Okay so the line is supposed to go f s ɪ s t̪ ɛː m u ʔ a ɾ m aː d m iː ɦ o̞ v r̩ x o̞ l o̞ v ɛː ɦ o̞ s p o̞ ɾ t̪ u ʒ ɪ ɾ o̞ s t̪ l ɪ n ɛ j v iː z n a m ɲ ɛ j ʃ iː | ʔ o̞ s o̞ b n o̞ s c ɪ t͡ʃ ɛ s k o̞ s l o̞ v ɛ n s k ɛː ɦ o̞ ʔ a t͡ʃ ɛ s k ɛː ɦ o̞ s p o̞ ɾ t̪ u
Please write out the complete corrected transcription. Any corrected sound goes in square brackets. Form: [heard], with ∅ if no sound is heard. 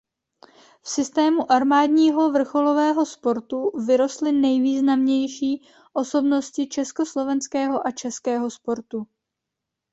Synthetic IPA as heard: f s ɪ s t̪ ɛː m u ʔ a ɾ m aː d [ɲ] iː ɦ o̞ v r̩ x o̞ l o̞ v ɛː ɦ o̞ s p o̞ ɾ t̪ u [v] ɪ ɾ o̞ s t̪ l ɪ n ɛ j v iː z n a m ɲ ɛ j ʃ iː | ʔ o̞ s o̞ b n o̞ s c ɪ t͡ʃ ɛ s k o̞ s l o̞ v ɛ n s k ɛː ɦ o̞ ʔ a t͡ʃ ɛ s k ɛː ɦ o̞ s p o̞ ɾ t̪ u